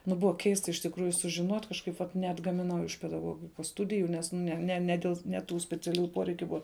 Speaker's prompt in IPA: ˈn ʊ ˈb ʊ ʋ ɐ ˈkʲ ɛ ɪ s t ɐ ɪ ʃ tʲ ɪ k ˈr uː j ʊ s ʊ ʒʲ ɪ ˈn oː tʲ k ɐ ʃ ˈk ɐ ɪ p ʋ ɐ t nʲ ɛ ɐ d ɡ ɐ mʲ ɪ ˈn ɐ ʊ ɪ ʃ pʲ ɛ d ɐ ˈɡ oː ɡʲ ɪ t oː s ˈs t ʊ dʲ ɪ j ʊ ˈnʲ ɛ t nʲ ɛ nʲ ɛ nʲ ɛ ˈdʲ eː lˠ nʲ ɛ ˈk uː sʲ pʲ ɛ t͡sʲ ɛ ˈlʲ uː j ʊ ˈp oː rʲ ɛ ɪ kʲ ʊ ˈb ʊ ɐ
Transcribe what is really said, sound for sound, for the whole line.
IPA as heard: ˈn ʊ ˈb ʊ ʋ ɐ ˈkʲ ɛ ɪ s t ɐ ɪ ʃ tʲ ɪ k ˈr uː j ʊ s ʊ ʒʲ ɪ ˈn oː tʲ k ɐ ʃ ˈk ɐ ɪ p ʋ ɐ t nʲ ɛ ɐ d ɡ ɐ mʲ ɪ ˈn ɐ ʊ ɪ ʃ pʲ ɛ d ɐ ˈɡ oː ɡʲ ɪ k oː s ˈs t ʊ dʲ ɪ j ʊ ˈnʲ ɛ s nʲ ɛ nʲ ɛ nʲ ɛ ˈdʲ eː lˠ nʲ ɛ ˈt uː sʲ pʲ ɛ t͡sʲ ɛ ˈlʲ uː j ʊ ˈp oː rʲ ɛ ɪ kʲ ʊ ˈb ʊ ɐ